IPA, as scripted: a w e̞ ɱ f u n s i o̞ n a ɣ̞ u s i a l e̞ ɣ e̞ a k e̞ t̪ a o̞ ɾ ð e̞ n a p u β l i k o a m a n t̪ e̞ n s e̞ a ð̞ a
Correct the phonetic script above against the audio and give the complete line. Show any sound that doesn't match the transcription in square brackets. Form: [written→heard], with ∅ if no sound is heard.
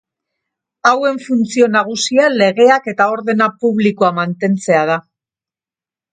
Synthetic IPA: a w e̞ ɱ f u n [s→t͡s] i o̞ n a ɣ̞ u s i a l e̞ ɣ e̞ a k e̞ t̪ a o̞ ɾ ð e̞ n a p u β l i k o a m a n t̪ e̞ n [s→t͡s] e̞ a ð̞ a

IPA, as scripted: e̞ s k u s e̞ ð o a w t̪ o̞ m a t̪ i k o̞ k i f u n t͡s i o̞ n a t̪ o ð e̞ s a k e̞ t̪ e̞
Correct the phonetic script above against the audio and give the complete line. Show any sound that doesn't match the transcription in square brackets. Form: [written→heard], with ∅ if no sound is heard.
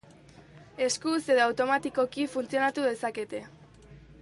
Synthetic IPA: e̞ s k u s e̞ ð o a w t̪ o̞ m a t̪ i k o̞ k i f u n t͡s i o̞ n a t̪ [o→u] ð e̞ s a k e̞ t̪ e̞

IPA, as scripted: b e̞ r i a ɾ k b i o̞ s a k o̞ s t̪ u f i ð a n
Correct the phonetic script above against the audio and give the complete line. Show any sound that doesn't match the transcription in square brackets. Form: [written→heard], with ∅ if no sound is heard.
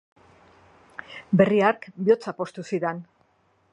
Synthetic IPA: b e̞ r i a ɾ k b i o̞ [s→t͡s] a [k→p] o̞ s t̪ u [f→s] i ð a n

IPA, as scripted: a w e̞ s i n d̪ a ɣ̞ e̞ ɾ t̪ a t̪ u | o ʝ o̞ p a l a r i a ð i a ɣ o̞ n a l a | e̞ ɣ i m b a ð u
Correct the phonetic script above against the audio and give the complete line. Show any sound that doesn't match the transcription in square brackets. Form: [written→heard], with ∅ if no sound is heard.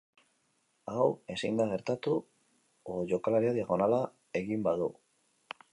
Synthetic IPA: a w e̞ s i n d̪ a ɣ̞ e̞ ɾ t̪ a t̪ u | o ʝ o̞ [p→k] a l a [r→ɾ] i a ð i a ɣ o̞ n a l a | e̞ ɣ i m b a ð u

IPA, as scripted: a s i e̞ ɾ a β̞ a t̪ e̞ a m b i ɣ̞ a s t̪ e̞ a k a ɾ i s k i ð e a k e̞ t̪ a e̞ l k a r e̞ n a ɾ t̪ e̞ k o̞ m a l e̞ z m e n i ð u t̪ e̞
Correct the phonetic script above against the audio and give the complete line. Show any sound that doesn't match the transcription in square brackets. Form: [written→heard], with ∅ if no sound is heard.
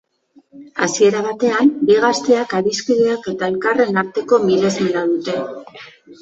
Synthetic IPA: a s i e̞ ɾ a β̞ a t̪ e̞ a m b i ɣ̞ a s t̪ e̞ a k a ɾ i s k i ð e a k e̞ t̪ a e̞ l k a r e̞ n a ɾ t̪ e̞ k o̞ m [a→i] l e̞ z m e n [i→a] ð u t̪ e̞

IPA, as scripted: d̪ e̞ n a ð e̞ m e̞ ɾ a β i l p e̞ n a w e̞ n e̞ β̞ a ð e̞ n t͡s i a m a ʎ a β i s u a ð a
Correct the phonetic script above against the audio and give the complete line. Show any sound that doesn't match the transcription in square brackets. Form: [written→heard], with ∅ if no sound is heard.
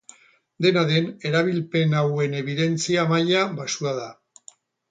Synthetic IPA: d̪ e̞ n a ð e̞ [m→n] e̞ ɾ a β i l p e̞ n a w e̞ n e̞ β̞ [a→i] ð e̞ n t͡s i a m a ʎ a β [i→a] s u a ð a

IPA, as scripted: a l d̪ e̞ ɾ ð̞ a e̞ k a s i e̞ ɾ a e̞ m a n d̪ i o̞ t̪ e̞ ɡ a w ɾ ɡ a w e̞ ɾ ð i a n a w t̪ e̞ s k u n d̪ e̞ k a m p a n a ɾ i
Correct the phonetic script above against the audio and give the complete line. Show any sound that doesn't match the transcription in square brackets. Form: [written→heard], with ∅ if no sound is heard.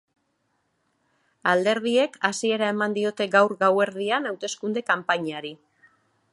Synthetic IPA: a l d̪ e̞ ɾ ð̞ [a→i] e̞ k a s i e̞ ɾ a e̞ m a n d̪ i o̞ t̪ e̞ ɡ a w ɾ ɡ a w e̞ ɾ ð i a n a w t̪ e̞ s k u n d̪ e̞ k a m p a [n→ɲ] a ɾ i

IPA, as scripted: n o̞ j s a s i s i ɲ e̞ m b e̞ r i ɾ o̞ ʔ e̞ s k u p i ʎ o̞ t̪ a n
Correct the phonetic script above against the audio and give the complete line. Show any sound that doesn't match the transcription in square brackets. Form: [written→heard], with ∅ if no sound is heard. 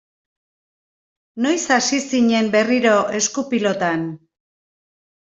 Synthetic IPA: n o̞ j s a s i s i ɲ e̞ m b e̞ r i ɾ o̞ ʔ e̞ s k u p i [ʎ→l] o̞ t̪ a n

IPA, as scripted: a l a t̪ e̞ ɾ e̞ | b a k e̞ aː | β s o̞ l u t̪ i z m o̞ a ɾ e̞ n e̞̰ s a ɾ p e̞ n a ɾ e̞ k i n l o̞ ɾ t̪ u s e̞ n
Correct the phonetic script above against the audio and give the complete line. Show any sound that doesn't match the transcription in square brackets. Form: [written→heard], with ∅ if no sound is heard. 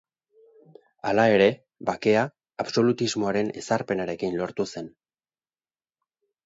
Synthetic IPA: a l a [t̪→∅] e̞ ɾ e̞ | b a k e̞ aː | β s o̞ l u t̪ i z m o̞ a ɾ e̞ n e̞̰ s a ɾ p e̞ n a ɾ e̞ k i n l o̞ ɾ t̪ u s e̞ n

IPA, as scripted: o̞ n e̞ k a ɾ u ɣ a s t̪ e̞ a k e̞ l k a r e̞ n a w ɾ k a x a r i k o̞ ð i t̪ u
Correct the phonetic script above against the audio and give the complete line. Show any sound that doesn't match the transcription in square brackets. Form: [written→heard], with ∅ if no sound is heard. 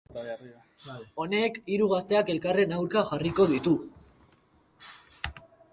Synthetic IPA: o̞ n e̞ k [a→i] ɾ u ɣ a s t̪ e̞ a k e̞ l k a r e̞ n a w ɾ k a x a r i k o̞ ð i t̪ u

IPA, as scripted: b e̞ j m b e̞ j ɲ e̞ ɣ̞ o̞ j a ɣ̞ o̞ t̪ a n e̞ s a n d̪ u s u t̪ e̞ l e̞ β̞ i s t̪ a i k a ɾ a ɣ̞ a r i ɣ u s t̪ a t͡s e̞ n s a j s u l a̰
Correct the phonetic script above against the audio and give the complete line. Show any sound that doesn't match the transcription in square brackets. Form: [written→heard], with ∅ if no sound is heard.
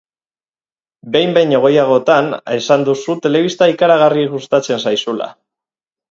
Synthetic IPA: b e̞ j m b e̞ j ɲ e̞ ɣ̞ o̞ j a ɣ̞ o̞ t̪ a n e̞ s a n d̪ u s u t̪ e̞ l e̞ β̞ i s t̪ a i k a ɾ a ɣ̞ a r i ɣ u s t̪ a t͡s e̞ n s a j s u l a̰

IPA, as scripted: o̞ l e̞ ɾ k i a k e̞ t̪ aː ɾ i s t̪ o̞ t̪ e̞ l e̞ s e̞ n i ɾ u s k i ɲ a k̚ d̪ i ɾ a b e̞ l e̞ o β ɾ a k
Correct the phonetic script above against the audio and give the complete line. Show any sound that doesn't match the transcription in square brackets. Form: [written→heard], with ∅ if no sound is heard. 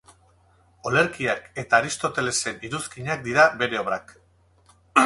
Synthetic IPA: o̞ l e̞ ɾ k i a k e̞ t̪ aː ɾ i s t̪ o̞ t̪ e̞ l e̞ s e̞ n i ɾ u s k i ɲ a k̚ d̪ i ɾ a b e̞ [l→ɾ] e̞ o β ɾ a k

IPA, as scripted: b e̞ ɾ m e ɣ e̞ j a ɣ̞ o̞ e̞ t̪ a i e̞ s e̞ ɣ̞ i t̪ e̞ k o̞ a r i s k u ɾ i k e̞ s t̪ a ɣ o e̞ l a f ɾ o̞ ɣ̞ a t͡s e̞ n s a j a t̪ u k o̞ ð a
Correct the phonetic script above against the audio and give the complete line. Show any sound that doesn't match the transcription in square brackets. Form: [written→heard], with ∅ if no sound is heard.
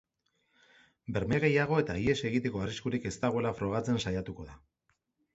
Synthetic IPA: b e̞ ɾ m e ɣ e̞ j a ɣ̞ o̞ e̞ t̪ a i e̞ s e̞ ɣ̞ i t̪ e̞ k o̞ a r i s k u ɾ i k e̞ s t̪ a ɣ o e̞ l a f ɾ o̞ ɣ̞ a t͡s e̞ n s a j a t̪ u k o̞ ð a

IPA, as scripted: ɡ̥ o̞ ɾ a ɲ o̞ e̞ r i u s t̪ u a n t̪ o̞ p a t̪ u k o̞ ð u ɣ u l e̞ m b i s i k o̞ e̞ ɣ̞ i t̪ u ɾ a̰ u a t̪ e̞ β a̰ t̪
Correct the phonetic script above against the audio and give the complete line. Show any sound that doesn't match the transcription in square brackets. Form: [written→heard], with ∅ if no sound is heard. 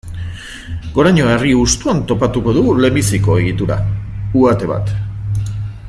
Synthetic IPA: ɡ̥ o̞ ɾ a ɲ o̞ e̞ r i u s t̪ u a n t̪ o̞ p a t̪ u k o̞ ð u ɣ u l e̞ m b i s i k o̞ e̞ ɣ̞ i t̪ u ɾ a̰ u a t̪ e̞ β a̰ t̪

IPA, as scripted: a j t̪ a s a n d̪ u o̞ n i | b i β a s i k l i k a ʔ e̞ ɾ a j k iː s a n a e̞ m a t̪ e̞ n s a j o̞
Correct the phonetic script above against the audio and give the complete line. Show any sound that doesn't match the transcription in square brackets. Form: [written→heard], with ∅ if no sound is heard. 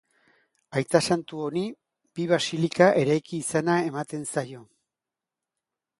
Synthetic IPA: a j t̪ a s a n [d̪→t̪] u o̞ n i | b i β a s i [k→∅] l i k a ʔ e̞ ɾ a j k iː s a n a e̞ m a t̪ e̞ n s a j o̞

